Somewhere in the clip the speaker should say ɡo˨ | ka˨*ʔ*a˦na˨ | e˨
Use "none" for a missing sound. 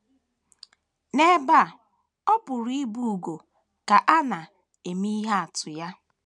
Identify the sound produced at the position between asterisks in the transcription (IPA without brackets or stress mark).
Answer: ʔ